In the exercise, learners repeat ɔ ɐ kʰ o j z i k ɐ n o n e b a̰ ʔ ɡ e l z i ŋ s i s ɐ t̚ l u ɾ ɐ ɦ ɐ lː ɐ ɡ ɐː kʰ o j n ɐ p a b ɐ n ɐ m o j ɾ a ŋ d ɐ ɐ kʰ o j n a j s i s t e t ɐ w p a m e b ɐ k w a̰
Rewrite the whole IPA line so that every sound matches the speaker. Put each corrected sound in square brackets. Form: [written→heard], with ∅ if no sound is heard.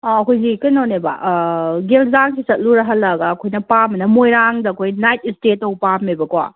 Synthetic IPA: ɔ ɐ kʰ o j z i k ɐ n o n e b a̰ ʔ ɡ e l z [i→a] ŋ s i s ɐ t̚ l u ɾ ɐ ɦ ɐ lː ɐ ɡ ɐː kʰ o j n ɐ p a [b→m] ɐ n ɐ m o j ɾ a ŋ d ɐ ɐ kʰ o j n a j [s→t] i s t e t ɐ w p a m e b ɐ k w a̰